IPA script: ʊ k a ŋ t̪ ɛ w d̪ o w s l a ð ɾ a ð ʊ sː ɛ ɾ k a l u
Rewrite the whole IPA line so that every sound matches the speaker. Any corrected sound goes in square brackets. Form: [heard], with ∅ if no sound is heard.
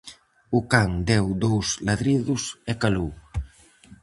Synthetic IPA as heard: ʊ k a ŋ [d̪] ɛ w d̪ o w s l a ð ɾ [i] ð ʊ [s] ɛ [∅] k a l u